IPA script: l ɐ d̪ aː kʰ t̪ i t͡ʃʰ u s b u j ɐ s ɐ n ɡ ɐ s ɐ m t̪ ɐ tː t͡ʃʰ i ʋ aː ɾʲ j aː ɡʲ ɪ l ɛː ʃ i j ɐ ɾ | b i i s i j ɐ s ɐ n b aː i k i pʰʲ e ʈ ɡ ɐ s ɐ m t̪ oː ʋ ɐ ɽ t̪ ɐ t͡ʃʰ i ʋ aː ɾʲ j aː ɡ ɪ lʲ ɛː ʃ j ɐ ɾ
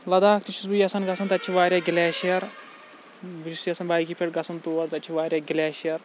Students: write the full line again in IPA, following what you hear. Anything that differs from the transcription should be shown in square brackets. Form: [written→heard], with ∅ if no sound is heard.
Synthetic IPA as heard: l ɐ d̪ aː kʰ t̪ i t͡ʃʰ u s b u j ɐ s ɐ n ɡ ɐ s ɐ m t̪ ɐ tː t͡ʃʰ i ʋ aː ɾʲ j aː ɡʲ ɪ l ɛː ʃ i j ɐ ɾ | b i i s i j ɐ s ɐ n b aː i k i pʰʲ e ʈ ɡ ɐ s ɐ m t̪ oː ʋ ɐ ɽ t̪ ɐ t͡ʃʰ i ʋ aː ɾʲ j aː ɡ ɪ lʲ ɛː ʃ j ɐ ɾ

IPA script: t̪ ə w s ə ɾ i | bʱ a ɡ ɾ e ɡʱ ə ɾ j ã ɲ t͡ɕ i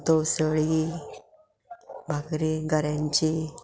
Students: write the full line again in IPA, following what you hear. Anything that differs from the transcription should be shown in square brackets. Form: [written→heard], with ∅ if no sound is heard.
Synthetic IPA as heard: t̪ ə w s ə [ɾ→ɭ] i | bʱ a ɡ ɾ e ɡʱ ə ɾ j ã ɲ t͡ɕ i

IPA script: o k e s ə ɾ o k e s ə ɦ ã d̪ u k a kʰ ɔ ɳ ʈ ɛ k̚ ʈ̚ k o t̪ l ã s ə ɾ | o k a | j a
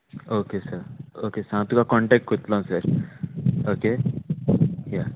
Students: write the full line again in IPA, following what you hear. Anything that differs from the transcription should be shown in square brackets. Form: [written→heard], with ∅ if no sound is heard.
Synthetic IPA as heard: o k e s ə ɾ o k e s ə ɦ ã [d̪→t̪] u k a [kʰ→k] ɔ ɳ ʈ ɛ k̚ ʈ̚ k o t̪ l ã s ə ɾ | o k [a→e] | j a

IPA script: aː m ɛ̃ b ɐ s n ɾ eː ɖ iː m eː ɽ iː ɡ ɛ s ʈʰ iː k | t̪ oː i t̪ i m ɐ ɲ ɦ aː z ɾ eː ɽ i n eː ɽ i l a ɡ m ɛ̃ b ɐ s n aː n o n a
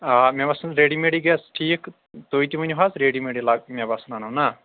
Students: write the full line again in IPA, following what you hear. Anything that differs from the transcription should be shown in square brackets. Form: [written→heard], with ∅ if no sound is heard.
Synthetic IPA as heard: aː m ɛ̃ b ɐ s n ɾ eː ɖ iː m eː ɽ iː ɡ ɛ s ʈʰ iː k | t̪ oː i t̪ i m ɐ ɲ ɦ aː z ɾ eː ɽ i [n→m] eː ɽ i l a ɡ m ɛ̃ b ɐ s n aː n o n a

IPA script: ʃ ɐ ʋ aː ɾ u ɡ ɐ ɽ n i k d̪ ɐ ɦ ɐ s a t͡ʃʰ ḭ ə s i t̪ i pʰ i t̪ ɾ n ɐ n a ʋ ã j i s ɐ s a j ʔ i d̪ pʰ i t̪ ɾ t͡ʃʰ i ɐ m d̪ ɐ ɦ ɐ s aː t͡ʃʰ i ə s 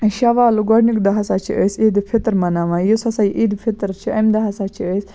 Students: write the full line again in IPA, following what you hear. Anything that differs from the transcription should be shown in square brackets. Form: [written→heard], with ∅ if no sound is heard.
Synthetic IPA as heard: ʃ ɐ ʋ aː [ɾ→l] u ɡ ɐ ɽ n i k d̪ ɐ ɦ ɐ s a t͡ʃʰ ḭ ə s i [t̪→d̪] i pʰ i t̪ ɾ [n→m] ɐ n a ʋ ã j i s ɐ s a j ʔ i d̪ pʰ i t̪ ɾ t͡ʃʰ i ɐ m d̪ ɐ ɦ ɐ s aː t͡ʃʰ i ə s

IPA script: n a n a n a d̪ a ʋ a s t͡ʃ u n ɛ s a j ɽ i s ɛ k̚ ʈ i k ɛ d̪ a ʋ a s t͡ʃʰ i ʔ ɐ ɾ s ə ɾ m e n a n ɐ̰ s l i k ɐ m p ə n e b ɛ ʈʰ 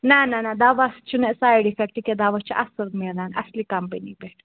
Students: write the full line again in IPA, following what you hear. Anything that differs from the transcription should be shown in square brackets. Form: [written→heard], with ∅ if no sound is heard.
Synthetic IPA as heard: n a n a n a d̪ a ʋ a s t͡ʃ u n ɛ s a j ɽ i [s→f] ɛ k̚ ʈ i k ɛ d̪ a ʋ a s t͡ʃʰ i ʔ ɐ [ɾ→∅] s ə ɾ m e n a n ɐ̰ s l i k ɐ m p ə n [e→i] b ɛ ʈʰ

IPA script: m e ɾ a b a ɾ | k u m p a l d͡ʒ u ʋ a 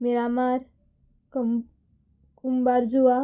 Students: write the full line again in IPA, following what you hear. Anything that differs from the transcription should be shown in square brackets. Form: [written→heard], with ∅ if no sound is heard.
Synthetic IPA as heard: m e ɾ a [b→m] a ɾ | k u m [p→b] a [l→ɾ] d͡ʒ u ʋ a

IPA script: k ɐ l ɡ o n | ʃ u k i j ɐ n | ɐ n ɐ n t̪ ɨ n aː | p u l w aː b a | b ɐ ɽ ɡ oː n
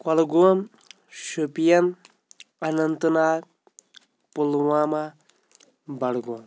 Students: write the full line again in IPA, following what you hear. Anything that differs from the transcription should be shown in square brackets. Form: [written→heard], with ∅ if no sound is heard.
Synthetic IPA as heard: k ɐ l ɡ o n | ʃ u [k→p] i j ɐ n | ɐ n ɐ n t̪ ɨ n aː | p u l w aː [b→m] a | b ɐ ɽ ɡ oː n

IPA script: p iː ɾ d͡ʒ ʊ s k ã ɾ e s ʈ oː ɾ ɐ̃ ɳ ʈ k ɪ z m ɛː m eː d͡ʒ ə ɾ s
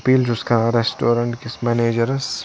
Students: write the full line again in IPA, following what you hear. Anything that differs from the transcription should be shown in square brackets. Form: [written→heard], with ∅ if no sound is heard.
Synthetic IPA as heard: p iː [ɾ→l] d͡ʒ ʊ s k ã ɾ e s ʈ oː ɾ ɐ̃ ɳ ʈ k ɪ [z→s] m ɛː [m→n] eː d͡ʒ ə ɾ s

